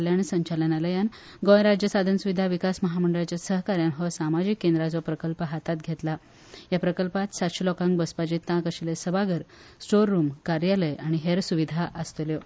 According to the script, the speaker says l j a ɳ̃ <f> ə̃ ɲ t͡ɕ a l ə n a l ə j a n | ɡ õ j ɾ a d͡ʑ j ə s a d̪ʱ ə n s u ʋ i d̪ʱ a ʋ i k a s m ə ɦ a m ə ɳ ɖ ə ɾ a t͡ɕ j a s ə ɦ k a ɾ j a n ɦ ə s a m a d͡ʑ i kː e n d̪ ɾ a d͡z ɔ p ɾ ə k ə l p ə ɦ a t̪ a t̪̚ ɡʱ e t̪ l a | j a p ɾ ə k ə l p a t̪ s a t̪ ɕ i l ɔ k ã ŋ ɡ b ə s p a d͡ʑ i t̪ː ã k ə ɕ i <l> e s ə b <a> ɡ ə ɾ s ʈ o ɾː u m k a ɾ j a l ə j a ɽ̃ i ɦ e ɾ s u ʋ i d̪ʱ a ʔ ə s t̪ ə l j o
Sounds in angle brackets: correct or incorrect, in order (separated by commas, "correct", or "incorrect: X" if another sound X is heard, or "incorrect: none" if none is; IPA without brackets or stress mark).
incorrect: s, correct, correct